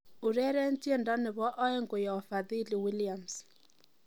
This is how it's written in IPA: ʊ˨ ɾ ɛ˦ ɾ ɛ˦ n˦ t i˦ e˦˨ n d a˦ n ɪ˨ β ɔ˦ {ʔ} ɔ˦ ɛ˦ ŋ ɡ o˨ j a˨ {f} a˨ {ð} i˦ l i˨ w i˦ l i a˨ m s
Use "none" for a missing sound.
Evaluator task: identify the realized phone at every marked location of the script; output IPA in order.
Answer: ʔ, f, ð

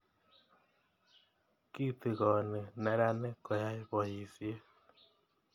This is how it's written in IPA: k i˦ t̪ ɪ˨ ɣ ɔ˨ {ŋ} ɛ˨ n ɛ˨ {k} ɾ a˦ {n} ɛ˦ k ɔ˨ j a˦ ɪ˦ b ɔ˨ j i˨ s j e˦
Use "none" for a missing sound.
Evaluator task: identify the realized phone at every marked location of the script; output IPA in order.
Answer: n, none, n

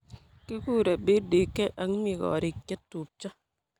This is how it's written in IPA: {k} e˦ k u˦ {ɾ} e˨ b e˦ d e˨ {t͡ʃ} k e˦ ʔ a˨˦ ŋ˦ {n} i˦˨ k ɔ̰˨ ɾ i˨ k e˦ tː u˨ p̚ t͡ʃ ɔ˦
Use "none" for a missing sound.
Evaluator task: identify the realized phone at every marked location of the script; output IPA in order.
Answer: k, ɾ, none, m

